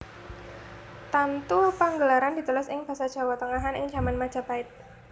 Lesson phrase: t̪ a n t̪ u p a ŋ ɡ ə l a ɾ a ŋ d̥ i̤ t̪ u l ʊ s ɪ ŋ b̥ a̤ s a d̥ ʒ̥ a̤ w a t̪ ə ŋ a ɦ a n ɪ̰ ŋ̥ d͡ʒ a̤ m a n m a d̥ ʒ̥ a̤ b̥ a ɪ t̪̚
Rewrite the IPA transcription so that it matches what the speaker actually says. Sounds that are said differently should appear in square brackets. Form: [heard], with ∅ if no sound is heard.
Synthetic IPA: t̪ a n t̪ u p a ŋ ɡ ə l a ɾ a [n] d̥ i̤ t̪ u l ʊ s ɪ ŋ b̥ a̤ s a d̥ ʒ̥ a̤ w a t̪ ə ŋ a ɦ a n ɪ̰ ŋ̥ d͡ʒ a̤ m a n m a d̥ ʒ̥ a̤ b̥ a ɪ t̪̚